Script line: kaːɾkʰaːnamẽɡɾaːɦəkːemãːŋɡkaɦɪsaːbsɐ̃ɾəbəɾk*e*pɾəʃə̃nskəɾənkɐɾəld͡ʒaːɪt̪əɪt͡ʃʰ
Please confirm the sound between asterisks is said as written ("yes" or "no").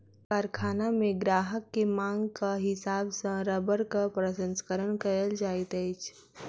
no